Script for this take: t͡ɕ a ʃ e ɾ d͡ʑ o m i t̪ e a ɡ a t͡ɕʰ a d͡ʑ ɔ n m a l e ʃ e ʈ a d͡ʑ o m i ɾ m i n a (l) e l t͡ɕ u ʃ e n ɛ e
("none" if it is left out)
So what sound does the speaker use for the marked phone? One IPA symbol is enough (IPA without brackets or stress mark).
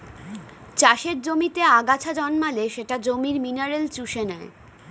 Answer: ɾ